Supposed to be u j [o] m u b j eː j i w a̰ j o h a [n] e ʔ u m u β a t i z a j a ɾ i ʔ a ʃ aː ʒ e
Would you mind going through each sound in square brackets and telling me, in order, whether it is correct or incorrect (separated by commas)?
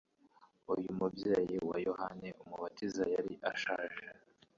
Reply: incorrect, correct